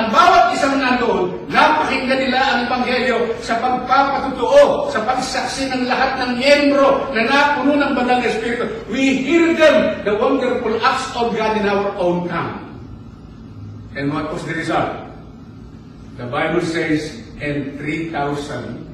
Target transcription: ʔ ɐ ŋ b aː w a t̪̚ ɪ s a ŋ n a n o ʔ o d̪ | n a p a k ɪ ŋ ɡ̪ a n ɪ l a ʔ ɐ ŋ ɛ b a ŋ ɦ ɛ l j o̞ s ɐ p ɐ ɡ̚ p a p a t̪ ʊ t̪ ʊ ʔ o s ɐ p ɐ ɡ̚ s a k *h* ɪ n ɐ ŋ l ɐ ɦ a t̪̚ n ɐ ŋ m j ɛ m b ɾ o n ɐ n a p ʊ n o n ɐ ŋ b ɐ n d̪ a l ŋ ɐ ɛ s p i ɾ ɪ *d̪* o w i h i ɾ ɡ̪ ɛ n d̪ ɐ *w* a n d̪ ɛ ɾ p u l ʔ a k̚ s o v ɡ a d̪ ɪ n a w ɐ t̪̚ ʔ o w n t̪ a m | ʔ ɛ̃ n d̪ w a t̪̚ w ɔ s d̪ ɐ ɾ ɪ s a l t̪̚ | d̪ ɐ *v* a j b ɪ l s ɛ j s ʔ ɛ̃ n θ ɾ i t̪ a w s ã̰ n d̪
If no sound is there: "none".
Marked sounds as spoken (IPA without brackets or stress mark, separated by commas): s, t̪, w, b